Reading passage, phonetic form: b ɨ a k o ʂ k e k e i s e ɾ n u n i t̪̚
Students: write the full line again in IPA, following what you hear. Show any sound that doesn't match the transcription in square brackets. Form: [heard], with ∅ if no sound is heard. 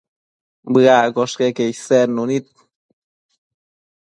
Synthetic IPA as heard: b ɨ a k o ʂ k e k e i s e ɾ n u n i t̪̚